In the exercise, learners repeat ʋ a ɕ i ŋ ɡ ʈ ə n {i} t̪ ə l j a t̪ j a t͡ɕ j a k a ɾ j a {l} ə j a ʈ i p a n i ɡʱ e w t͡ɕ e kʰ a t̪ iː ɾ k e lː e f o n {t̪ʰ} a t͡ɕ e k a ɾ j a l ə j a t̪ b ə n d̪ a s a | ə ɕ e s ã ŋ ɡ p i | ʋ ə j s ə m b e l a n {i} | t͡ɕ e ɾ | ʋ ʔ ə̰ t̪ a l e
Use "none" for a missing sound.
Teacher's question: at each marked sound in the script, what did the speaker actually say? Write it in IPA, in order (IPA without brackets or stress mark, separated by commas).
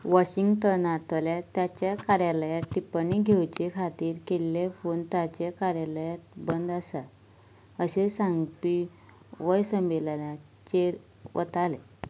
a, l, t̪, a